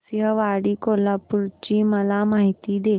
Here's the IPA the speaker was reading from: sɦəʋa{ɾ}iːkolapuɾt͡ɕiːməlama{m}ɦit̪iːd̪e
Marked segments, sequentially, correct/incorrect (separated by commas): incorrect, incorrect